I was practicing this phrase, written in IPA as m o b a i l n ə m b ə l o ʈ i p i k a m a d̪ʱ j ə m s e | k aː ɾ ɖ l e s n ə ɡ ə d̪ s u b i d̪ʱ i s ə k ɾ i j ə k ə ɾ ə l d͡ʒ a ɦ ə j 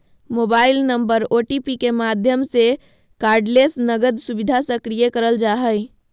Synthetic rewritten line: m o b a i l n ə m b ə ɾ o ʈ i p i k e m a d̪ʱ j ə m s e | k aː ɾ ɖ l e s n ə ɡ ə d̪ s u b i d̪ʱ a s ə k ɾ i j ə k ə ɾ ə l d͡ʒ a ɦ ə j